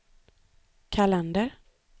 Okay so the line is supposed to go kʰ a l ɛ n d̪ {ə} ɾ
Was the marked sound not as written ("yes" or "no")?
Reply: no